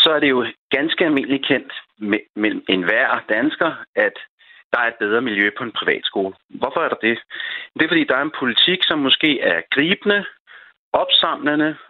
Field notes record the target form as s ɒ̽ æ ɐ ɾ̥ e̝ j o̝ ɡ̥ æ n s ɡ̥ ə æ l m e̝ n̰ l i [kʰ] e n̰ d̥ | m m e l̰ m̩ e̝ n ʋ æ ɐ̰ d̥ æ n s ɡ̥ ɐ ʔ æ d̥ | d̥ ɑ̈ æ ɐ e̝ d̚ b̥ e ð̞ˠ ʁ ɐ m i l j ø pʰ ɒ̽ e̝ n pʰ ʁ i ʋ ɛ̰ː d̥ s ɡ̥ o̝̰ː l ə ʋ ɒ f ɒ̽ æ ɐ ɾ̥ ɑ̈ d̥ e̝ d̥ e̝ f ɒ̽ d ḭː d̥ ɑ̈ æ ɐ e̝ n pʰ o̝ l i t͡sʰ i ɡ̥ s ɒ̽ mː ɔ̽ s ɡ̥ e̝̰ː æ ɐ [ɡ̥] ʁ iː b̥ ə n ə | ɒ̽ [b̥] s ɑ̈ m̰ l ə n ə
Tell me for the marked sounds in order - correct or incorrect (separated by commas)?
correct, correct, correct